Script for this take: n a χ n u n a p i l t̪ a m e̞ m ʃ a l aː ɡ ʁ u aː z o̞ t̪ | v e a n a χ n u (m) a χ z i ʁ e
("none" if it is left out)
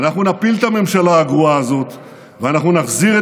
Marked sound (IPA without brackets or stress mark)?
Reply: n